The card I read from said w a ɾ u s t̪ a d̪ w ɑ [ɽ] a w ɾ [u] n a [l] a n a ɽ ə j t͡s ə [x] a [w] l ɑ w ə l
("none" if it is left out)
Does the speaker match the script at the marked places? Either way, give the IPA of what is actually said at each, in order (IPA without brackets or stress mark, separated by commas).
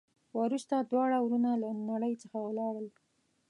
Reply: ɽ, u, l, x, w